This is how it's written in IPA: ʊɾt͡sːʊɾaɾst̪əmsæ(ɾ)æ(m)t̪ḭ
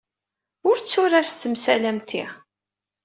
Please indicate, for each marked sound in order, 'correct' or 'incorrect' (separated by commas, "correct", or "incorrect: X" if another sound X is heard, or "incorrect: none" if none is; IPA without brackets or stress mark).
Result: incorrect: l, correct